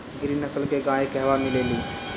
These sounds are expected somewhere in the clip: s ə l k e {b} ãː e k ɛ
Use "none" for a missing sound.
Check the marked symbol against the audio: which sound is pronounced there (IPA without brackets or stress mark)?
ɡ